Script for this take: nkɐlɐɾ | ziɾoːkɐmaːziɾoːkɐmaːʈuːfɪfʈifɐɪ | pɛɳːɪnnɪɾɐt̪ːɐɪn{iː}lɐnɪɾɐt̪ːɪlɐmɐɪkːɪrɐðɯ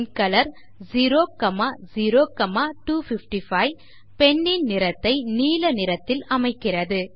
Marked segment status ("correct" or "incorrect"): correct